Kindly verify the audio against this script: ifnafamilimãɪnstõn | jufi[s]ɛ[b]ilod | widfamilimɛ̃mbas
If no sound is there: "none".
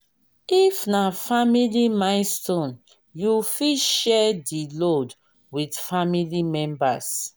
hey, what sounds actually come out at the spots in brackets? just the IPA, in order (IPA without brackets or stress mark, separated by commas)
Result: ʃ, d